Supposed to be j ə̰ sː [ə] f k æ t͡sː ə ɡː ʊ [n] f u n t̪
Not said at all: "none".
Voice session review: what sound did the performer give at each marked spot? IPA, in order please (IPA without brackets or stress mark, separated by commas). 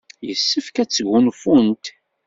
ə, n